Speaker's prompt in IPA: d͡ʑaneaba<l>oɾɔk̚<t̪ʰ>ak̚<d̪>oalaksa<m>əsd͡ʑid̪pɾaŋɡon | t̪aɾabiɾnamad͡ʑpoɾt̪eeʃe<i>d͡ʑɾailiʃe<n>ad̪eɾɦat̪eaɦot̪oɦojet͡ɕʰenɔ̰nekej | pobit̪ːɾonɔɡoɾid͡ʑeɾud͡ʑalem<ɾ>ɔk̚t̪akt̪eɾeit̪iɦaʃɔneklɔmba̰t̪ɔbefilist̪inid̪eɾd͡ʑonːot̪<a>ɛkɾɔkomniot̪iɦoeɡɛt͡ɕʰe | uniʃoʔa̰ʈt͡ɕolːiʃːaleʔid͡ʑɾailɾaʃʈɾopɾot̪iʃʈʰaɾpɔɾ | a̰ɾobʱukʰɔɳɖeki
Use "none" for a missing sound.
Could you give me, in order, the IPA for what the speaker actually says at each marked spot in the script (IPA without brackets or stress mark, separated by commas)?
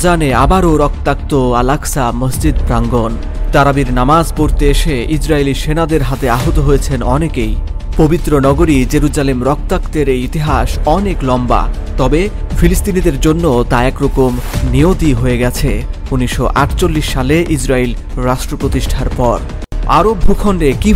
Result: ɾ, t̪, t̪, m, i, n, ɾ, a